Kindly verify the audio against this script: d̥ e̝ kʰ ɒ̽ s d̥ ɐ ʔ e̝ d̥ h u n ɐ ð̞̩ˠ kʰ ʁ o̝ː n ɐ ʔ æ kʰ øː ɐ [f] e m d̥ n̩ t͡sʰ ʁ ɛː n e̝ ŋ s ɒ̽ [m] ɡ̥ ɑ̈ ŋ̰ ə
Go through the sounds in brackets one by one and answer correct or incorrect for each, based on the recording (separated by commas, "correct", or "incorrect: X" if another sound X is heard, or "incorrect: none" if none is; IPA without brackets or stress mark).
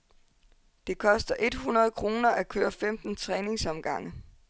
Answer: correct, correct